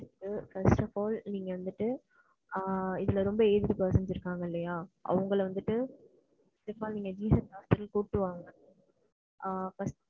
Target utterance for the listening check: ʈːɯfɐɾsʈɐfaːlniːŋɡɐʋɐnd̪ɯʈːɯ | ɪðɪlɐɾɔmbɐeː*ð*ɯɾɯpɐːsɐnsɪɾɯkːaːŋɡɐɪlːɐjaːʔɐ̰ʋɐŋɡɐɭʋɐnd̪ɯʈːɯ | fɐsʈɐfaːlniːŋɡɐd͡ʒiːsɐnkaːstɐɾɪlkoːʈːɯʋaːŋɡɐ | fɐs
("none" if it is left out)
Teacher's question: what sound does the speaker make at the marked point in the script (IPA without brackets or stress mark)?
ð